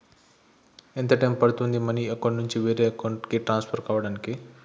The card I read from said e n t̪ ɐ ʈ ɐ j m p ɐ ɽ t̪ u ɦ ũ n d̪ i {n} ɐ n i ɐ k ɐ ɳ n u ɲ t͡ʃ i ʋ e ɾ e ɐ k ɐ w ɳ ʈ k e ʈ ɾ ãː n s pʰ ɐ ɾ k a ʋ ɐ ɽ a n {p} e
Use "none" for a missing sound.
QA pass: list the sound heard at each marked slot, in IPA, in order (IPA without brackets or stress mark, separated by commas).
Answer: m, k